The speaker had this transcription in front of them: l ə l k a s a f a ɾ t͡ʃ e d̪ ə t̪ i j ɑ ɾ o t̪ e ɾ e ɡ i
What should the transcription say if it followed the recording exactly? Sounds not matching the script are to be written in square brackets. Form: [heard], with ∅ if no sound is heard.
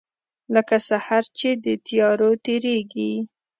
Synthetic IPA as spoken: l ə [∅] k a s a [h] a ɾ t͡ʃ e d̪ ə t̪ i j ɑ ɾ o t̪ e ɾ e ɡ i